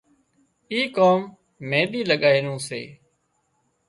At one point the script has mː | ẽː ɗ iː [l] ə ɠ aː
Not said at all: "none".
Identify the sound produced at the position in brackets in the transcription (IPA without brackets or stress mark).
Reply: l